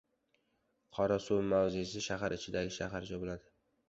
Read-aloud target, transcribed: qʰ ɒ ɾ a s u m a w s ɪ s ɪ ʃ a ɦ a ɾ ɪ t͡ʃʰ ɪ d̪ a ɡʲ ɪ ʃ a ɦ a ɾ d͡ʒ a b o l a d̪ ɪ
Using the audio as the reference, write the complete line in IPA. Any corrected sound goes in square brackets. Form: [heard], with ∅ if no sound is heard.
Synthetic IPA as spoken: qʰ ɒ ɾ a s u m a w [z] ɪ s ɪ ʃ a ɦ a ɾ ɪ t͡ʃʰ ɪ d̪ a ɡʲ ɪ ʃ a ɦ a ɾ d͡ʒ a b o l a d̪ ɪ